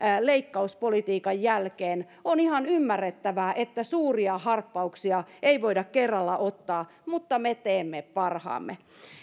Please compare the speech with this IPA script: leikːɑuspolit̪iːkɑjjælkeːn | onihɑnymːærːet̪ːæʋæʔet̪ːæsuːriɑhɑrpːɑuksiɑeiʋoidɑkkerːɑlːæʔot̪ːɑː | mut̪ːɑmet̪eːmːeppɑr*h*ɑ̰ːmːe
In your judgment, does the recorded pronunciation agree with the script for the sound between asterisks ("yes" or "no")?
yes